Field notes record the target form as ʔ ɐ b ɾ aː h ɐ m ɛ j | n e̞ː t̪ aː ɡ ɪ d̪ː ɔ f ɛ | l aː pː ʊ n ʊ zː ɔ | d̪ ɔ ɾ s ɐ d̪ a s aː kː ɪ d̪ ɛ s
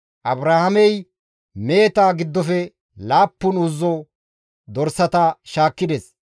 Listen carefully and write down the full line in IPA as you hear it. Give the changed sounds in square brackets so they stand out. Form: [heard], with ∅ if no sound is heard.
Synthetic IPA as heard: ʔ ɐ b ɾ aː h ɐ m ɛ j | [m] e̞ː t̪ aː ɡ ɪ d̪ː ɔ f ɛ | l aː pː ʊ n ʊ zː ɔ | d̪ ɔ ɾ s ɐ [t̪] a [ʃ] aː kː ɪ d̪ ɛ s